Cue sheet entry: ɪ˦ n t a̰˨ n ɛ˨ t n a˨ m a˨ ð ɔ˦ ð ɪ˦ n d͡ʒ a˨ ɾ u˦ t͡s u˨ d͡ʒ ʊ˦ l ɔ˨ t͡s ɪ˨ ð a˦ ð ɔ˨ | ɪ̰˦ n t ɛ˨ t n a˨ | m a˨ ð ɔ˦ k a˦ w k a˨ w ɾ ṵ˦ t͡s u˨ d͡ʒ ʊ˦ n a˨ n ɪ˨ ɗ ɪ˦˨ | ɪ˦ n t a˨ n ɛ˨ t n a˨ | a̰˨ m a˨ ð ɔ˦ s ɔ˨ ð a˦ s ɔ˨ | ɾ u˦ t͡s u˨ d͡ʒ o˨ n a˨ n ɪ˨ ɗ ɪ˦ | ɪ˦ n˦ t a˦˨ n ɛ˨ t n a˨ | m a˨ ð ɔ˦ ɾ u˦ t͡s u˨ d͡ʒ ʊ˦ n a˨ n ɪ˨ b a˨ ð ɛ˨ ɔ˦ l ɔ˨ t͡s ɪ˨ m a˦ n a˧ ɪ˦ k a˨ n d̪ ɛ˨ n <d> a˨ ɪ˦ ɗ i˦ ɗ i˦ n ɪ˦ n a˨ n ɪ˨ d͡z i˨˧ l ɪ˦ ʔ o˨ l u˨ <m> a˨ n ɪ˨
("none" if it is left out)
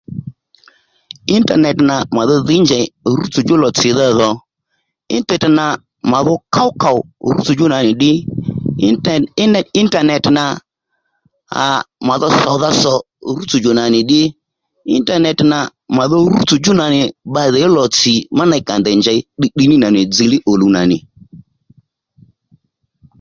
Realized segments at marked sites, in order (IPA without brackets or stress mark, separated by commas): d͡ʒ, n